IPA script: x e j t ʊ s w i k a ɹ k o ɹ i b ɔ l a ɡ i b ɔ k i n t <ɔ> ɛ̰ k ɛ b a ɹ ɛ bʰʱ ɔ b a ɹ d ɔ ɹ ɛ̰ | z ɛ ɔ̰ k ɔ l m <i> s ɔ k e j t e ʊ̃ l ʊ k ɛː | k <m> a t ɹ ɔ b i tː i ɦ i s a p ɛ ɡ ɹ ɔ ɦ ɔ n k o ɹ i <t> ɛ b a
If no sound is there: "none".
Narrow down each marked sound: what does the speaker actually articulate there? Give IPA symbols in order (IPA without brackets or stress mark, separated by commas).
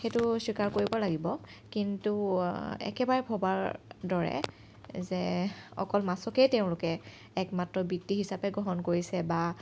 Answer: u, a, m, s